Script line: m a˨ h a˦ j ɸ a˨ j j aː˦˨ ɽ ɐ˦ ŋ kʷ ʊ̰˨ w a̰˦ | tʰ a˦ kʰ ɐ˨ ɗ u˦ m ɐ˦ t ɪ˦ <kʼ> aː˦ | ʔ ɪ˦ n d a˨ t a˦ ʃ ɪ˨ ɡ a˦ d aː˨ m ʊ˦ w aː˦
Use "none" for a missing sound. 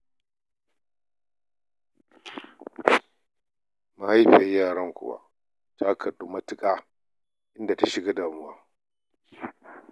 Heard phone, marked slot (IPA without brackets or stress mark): kʼ